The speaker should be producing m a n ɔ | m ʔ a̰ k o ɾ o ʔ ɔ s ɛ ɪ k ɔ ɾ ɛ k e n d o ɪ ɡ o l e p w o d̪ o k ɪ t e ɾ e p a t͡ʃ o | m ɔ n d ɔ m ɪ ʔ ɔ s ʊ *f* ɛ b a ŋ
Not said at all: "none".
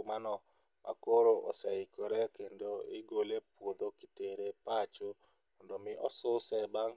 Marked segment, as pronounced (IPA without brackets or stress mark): s